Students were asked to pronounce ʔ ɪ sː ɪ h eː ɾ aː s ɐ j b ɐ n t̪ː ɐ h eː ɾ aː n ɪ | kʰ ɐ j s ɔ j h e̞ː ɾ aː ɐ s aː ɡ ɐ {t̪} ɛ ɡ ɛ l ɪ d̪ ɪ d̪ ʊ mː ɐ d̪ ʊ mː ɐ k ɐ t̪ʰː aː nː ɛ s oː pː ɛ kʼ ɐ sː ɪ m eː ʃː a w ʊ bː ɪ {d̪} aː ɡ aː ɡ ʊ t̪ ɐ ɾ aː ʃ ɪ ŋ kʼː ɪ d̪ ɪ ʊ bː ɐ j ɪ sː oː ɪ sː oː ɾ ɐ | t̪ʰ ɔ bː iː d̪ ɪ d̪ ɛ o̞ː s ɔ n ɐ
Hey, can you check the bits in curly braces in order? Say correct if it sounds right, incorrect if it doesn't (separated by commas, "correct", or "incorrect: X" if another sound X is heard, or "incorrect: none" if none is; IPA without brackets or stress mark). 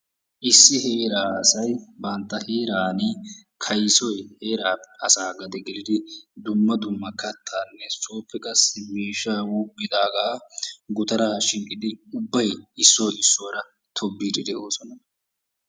incorrect: d̪, correct